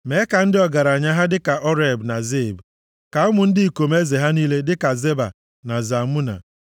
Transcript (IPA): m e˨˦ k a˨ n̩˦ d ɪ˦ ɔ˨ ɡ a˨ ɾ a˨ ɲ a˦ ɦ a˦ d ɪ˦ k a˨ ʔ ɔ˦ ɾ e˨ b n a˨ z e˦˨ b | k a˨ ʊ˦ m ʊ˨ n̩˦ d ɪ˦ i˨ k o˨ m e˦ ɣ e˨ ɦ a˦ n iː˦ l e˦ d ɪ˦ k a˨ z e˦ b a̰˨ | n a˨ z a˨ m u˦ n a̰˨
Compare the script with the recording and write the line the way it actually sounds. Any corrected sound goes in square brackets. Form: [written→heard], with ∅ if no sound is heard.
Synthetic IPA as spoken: m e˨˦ k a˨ n̩˦ d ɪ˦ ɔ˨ ɡ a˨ ɾ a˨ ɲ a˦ ɦ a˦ d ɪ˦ k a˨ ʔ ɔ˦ ɾ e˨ b n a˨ z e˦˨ b | k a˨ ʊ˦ m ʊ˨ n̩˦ d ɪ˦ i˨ k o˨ m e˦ [ɣ→z] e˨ ɦ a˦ n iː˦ l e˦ d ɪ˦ k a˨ z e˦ b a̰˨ | n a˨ z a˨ m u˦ n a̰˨